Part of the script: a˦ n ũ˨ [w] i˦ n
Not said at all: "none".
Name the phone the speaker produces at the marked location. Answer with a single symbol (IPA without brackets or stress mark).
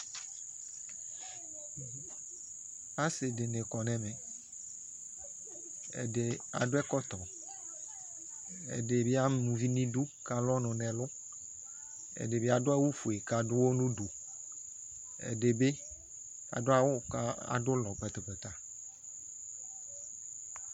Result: v